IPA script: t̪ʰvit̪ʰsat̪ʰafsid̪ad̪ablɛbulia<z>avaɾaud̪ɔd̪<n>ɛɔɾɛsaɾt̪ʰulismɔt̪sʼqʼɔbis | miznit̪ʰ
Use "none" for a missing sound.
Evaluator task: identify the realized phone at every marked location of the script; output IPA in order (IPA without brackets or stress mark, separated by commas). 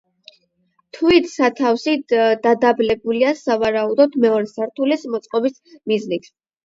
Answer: s, m